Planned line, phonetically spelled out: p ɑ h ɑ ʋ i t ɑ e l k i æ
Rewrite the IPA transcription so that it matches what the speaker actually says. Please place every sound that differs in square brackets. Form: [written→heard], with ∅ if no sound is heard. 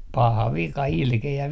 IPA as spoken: p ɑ h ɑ ʋ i [t→k] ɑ [e→i] l k [i→e] æ